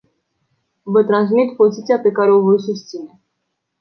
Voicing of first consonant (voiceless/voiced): voiced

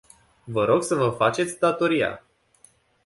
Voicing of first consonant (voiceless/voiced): voiced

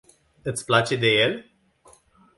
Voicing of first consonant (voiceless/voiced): voiceless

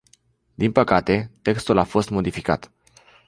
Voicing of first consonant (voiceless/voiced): voiced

